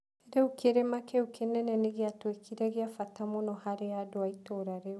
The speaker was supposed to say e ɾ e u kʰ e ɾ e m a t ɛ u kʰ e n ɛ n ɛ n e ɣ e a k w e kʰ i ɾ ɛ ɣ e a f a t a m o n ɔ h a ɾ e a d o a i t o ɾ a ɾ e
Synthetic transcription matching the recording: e ɾ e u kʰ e ɾ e m a k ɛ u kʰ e n ɛ n ɛ n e ɣ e a t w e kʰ i ɾ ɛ ɣ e a f a t a m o n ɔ h a ɾ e a d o a i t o ɾ a ɾ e